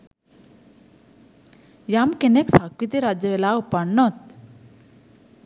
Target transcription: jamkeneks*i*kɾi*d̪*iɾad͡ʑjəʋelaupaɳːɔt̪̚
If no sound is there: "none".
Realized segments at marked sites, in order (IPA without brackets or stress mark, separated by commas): a, t̪